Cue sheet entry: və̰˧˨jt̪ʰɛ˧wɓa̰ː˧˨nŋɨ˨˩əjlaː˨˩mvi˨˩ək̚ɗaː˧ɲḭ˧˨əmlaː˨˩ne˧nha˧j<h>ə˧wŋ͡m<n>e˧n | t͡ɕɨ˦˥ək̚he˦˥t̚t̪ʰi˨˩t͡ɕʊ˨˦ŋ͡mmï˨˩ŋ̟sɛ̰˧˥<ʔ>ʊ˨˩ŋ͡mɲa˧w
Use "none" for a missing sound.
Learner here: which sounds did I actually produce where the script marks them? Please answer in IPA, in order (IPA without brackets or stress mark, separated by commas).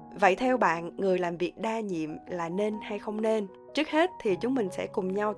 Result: x, n, k